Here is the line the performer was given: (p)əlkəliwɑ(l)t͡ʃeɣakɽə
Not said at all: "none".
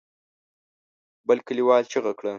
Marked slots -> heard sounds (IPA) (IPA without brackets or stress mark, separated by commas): b, l